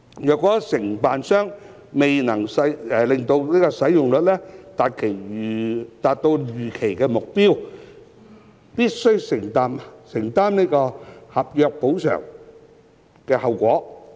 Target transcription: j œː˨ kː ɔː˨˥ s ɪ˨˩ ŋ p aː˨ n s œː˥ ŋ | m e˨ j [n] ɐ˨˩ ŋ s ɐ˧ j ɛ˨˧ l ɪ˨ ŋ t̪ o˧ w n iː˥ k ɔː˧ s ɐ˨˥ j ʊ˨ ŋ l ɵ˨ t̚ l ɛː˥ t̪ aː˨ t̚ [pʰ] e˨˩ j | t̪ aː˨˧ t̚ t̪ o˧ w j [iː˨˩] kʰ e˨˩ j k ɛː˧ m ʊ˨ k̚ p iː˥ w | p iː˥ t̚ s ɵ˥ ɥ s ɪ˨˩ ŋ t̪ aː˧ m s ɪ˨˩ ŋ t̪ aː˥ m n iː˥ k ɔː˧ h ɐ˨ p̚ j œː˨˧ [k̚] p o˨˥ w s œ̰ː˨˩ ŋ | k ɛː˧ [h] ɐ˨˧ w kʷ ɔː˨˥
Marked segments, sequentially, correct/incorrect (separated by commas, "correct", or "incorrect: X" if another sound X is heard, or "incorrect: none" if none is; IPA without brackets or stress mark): correct, incorrect: kʰ, incorrect: yː˨˩, correct, correct